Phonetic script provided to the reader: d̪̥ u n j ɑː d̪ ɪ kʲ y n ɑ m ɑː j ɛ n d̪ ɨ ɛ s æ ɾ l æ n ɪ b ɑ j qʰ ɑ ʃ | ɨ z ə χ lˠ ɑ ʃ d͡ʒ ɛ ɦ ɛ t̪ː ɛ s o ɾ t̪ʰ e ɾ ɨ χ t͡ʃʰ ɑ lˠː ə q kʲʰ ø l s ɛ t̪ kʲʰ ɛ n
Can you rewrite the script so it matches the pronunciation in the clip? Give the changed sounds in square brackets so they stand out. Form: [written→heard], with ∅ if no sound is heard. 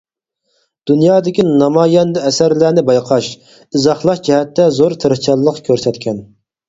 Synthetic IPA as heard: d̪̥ u n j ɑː d̪ ɪ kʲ [y→i] n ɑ m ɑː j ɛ n d̪ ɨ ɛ s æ ɾ l æ n ɪ b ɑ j qʰ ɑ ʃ | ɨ z [ə→ɑ] χ lˠ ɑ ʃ d͡ʒ ɛ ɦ ɛ t̪ː ɛ [s→z] o ɾ t̪ʰ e ɾ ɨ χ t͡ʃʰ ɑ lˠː ə q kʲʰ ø [l→ɾ] s ɛ t̪ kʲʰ ɛ n

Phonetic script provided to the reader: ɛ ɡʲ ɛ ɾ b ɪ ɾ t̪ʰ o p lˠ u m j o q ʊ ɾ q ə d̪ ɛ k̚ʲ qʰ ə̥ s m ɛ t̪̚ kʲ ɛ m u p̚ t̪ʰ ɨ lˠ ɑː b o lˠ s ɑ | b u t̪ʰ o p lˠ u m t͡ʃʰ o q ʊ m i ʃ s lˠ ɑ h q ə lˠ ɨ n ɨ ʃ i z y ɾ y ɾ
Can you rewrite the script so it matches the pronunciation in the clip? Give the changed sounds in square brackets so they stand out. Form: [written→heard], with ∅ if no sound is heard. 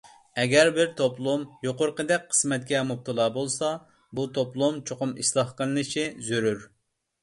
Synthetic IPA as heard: ɛ ɡʲ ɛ ɾ b ɪ ɾ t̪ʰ o p lˠ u m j o q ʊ ɾ q ə d̪ ɛ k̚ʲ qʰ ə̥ s m ɛ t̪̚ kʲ ɛ m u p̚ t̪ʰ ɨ lˠ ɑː b o lˠ s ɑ | b u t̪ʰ o p lˠ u m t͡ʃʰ o q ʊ m i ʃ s lˠ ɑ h q ə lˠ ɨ n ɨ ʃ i z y ɾ y ɾ

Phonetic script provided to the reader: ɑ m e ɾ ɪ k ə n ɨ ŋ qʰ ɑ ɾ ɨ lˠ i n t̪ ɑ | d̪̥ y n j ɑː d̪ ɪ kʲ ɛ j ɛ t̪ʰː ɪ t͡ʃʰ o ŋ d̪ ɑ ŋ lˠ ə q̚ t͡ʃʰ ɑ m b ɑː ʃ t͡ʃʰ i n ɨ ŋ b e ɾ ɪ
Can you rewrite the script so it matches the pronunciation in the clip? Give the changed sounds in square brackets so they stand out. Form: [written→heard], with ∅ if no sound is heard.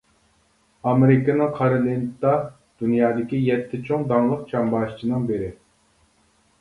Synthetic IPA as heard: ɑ m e ɾ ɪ k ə n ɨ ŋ qʰ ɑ ɾ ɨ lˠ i n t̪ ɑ | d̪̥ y n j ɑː d̪ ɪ kʲ [ɛ→i] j ɛ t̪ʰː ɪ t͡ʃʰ o ŋ d̪ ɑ ŋ lˠ ə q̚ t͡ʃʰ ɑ m b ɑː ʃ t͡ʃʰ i n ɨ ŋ b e ɾ ɪ

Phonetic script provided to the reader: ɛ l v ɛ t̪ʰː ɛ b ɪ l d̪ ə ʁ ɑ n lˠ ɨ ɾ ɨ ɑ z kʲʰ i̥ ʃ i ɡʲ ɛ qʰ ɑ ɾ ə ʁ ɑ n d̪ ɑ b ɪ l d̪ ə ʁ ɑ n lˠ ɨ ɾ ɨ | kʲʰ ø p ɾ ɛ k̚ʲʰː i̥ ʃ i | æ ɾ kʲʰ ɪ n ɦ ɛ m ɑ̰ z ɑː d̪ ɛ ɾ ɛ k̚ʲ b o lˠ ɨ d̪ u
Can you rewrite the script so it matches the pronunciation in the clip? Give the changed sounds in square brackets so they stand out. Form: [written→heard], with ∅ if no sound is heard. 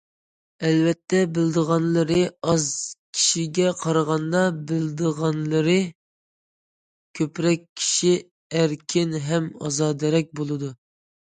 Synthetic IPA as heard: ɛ l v ɛ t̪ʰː ɛ b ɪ l d̪ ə ʁ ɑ n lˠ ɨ ɾ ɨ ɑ z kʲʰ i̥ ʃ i ɡʲ ɛ qʰ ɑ ɾ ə ʁ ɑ n d̪ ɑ b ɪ l d̪ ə ʁ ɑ n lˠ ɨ ɾ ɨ | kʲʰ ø p ɾ ɛ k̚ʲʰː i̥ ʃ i | æ ɾ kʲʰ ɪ n ɦ ɛ m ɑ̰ z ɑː d̪ ɛ ɾ ɛ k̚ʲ b o lˠ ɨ d̪ u

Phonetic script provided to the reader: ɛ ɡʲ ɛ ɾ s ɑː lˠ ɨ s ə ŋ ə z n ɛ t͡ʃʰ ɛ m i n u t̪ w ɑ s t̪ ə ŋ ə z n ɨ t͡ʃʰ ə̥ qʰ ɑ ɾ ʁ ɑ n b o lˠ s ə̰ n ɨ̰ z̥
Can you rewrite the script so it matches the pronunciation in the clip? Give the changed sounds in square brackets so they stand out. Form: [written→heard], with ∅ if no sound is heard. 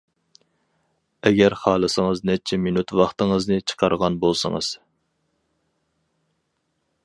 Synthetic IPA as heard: ɛ ɡʲ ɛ ɾ [s→χ] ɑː lˠ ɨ s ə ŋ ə z n ɛ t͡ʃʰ ɛ m i n u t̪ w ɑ [s→χ] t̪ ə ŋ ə z n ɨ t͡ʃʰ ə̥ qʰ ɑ ɾ ʁ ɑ n b o lˠ s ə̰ [n→ŋ] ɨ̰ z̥

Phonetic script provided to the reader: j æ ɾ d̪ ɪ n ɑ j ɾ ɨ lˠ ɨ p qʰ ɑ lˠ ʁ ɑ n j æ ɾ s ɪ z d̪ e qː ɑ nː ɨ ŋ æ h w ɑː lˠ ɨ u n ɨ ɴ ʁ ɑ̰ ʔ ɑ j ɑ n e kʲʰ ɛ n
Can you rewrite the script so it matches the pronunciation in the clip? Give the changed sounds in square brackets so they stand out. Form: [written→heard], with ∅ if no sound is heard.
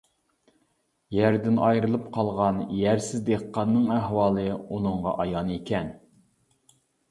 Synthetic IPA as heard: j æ ɾ d̪ ɪ n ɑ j ɾ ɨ lˠ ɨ p qʰ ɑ lˠ ʁ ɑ n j æ ɾ s ɪ z d̪ e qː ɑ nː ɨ ŋ æ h w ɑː lˠ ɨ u n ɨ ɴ ʁ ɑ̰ ʔ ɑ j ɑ n e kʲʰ ɛ n

